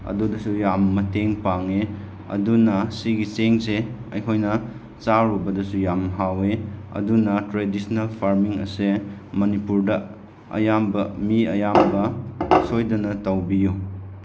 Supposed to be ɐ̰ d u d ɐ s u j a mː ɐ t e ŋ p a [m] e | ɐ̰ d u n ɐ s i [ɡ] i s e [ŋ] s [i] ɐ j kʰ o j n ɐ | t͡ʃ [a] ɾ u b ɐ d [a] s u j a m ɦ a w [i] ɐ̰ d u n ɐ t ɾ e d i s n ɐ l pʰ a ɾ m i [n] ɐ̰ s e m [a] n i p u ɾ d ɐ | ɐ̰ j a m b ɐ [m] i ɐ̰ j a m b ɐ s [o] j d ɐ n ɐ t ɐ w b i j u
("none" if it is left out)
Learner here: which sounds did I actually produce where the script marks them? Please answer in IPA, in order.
ŋ, ɡ, ŋ, e, a, ɐ, e, ŋ, ɐ, m, o

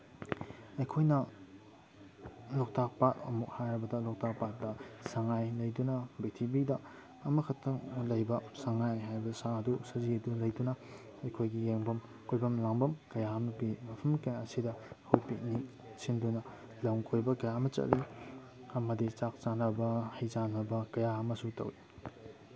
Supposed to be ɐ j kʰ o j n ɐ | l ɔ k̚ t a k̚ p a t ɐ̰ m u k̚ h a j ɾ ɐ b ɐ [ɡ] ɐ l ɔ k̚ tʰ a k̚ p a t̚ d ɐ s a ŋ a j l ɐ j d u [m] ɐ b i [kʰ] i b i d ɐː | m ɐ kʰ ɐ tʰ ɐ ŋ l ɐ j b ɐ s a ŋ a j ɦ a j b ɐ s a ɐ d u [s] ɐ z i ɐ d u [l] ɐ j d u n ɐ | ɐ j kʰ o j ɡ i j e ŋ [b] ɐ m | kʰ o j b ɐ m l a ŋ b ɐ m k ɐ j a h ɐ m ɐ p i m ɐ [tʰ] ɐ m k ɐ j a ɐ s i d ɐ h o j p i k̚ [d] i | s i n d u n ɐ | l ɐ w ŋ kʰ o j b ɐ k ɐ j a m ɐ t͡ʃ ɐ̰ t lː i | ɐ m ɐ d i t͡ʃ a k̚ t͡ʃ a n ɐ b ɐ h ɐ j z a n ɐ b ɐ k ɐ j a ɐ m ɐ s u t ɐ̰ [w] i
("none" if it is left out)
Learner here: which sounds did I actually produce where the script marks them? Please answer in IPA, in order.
d, n, tʰ, s, l, b, pʰ, n, w

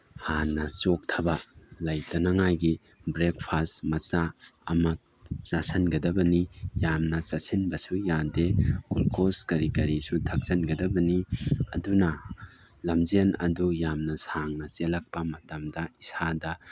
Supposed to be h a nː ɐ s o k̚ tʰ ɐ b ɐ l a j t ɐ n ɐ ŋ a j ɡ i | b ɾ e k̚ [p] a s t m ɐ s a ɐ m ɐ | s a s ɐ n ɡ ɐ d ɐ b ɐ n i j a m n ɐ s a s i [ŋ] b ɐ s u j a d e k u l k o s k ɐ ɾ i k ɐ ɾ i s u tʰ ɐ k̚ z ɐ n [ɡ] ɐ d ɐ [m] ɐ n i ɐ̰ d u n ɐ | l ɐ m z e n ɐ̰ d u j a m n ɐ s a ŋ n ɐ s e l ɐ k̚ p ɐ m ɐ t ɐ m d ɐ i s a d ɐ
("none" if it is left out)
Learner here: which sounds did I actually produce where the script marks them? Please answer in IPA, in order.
pʰ, n, ɡ, b

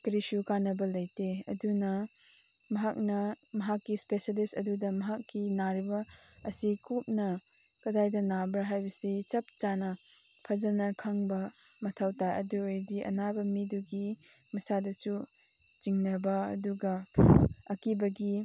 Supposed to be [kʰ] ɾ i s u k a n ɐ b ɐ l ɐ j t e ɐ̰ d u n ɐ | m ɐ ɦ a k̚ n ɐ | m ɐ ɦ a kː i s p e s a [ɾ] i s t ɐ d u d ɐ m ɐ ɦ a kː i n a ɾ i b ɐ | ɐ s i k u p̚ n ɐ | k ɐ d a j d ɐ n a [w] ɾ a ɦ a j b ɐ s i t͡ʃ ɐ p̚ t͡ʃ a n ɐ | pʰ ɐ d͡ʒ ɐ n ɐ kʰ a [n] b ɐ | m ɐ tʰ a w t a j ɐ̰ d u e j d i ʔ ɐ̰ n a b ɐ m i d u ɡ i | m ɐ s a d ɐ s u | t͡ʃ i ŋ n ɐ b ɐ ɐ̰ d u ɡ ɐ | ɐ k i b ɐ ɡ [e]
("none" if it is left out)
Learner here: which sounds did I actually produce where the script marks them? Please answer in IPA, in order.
k, l, b, ŋ, i

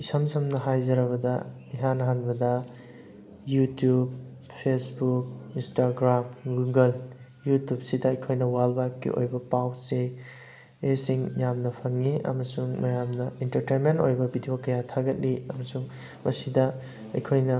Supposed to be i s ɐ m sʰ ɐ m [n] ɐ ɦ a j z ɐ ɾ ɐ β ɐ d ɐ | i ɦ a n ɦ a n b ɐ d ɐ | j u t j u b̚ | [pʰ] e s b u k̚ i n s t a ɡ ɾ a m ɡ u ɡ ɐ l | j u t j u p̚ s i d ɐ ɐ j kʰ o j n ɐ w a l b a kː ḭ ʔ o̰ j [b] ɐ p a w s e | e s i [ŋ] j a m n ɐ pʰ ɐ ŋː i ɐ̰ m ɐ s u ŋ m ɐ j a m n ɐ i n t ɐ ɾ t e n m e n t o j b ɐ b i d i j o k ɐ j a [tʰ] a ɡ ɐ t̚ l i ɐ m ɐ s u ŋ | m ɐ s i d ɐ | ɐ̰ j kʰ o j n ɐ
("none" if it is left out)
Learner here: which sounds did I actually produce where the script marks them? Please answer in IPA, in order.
n, pʰ, b, ŋ, tʰ

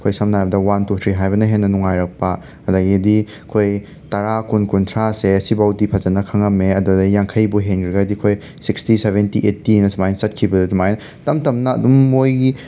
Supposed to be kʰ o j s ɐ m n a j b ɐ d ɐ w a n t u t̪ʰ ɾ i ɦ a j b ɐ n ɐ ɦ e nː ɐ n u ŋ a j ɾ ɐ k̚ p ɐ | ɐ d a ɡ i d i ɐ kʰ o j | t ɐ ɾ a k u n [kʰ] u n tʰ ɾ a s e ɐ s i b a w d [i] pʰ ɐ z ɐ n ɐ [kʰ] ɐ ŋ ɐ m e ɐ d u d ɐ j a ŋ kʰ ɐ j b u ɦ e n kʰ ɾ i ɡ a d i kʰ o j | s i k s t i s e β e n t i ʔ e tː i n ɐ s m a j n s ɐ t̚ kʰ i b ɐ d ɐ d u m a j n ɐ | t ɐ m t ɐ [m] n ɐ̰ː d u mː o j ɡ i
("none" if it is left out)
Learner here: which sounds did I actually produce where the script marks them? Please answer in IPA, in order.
k, i, kʰ, m

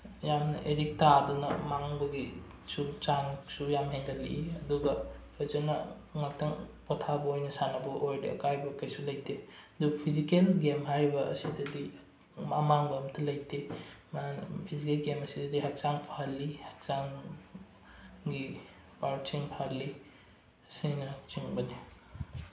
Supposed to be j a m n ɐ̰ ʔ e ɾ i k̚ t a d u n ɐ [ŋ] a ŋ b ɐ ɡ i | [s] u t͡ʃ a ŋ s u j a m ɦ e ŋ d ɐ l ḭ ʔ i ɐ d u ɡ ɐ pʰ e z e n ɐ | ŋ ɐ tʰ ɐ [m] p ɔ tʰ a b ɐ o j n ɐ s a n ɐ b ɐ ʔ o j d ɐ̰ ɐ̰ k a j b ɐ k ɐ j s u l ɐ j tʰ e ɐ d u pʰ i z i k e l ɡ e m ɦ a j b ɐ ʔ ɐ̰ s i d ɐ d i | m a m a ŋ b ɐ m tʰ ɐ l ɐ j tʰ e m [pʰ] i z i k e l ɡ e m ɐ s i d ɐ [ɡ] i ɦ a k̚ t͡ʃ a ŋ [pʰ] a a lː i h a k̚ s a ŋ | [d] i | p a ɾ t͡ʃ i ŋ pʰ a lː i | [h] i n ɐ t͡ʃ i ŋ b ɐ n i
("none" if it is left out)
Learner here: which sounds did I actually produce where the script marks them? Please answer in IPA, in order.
m, s, ŋ, pʰ, d, pʰ, ɡ, s

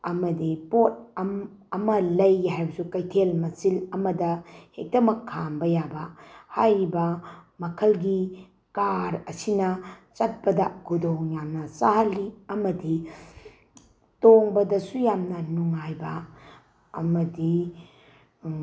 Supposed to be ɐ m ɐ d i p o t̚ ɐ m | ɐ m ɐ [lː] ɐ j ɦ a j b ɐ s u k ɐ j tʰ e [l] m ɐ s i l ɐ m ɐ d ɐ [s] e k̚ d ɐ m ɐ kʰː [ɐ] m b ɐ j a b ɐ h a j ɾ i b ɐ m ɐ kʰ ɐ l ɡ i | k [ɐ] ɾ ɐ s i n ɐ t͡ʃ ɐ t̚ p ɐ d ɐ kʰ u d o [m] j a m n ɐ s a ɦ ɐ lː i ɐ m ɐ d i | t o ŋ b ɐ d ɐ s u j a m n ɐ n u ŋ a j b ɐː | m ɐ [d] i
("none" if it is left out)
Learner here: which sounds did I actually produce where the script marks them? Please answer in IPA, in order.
l, l, h, a, a, ŋ, d

